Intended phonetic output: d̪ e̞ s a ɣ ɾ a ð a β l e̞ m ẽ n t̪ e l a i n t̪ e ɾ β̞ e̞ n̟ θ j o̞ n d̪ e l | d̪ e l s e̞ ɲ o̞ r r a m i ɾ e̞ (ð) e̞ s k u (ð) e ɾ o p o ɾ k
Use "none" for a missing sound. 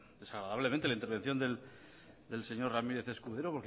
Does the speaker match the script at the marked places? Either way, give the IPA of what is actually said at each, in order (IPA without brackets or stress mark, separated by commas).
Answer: θ, ð